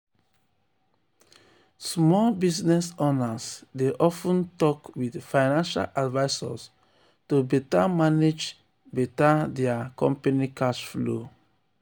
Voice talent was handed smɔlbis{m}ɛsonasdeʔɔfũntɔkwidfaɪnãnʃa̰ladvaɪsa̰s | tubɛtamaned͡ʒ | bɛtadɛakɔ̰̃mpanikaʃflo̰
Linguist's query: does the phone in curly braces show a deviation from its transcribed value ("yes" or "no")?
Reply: yes